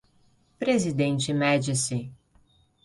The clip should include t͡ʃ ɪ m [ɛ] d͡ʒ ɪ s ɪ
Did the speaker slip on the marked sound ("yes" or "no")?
no